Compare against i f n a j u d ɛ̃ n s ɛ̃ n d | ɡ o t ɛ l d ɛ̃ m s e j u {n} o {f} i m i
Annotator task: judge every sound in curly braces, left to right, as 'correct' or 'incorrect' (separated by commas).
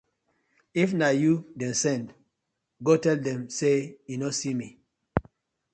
correct, incorrect